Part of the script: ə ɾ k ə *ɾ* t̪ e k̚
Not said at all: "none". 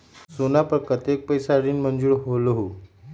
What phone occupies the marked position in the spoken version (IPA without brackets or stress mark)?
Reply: none